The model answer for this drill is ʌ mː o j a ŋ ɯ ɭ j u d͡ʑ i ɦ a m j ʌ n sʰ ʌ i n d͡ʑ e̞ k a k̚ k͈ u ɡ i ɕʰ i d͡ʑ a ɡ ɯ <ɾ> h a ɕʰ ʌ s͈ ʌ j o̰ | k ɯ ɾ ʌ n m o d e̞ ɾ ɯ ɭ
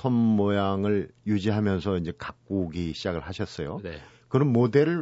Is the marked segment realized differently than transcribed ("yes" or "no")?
yes